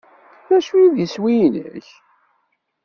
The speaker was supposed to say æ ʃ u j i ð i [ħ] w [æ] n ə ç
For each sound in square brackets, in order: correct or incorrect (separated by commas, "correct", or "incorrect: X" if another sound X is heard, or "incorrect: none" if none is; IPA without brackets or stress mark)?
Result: incorrect: s, incorrect: i